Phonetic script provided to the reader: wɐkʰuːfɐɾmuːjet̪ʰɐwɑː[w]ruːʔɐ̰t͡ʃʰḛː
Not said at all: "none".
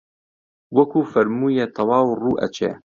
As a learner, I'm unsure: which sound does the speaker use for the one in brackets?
w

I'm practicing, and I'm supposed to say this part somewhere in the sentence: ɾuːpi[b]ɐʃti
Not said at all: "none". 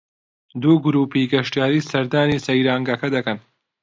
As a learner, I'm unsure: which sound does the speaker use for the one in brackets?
ɡ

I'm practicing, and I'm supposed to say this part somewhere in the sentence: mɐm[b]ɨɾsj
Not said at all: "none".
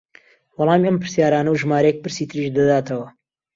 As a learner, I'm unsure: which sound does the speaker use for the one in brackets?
p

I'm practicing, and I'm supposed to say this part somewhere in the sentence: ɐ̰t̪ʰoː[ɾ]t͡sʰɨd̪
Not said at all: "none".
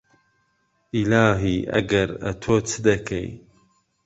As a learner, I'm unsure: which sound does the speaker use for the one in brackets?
none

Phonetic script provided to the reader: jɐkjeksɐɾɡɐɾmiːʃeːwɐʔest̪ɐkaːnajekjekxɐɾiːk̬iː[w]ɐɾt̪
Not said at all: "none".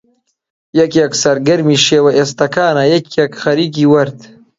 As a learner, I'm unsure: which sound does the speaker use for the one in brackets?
w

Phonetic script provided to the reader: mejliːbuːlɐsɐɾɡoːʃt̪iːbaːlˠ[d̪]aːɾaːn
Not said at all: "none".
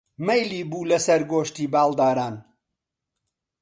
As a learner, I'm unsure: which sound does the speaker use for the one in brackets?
d̪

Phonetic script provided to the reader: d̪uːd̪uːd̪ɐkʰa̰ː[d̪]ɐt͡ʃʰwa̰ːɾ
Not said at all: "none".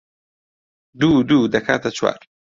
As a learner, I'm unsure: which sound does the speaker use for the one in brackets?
t̪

